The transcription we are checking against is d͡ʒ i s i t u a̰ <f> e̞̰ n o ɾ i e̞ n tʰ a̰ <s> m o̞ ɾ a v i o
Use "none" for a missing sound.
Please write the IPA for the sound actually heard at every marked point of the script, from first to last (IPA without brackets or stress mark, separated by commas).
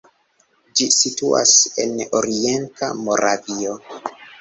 s, none